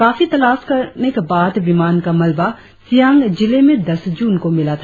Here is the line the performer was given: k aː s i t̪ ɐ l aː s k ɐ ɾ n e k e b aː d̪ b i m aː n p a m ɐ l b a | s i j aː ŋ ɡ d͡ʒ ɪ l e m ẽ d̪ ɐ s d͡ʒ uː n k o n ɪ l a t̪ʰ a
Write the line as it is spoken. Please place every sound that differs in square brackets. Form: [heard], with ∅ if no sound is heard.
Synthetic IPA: k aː [f] i t̪ ɐ l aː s k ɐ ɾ n e k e b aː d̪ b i m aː n [k] a m ɐ l b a | s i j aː ŋ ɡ d͡ʒ ɪ l e m ẽ d̪ ɐ s d͡ʒ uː n k o [m] ɪ l a t̪ʰ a